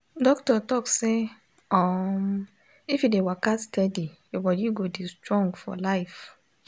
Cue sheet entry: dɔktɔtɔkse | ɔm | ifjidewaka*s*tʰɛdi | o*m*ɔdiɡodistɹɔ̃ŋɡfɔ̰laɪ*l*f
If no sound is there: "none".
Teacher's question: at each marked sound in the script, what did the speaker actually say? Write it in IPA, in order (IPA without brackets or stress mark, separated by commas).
s, b, none